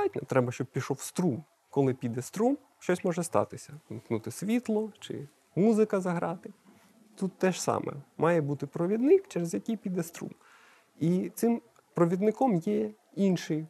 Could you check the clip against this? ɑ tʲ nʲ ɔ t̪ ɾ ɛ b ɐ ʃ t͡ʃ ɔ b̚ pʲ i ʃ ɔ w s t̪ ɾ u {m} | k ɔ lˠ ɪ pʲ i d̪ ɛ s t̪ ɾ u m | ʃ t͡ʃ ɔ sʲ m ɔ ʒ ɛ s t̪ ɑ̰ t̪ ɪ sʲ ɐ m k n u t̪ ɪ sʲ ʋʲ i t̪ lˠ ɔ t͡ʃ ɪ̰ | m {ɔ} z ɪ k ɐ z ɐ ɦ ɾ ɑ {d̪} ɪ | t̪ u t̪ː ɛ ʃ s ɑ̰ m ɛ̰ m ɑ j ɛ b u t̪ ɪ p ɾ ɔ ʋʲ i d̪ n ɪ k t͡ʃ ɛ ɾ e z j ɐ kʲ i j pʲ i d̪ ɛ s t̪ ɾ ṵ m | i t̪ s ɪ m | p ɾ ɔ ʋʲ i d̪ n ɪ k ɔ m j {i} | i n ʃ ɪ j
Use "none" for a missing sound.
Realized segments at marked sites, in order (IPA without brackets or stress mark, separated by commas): m, u, t̪, ɛ